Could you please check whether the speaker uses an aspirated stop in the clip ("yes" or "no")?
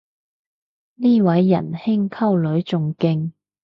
yes